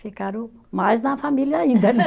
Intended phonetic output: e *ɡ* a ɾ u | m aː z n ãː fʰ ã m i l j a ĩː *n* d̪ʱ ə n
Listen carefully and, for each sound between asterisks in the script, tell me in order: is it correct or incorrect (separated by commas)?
incorrect, correct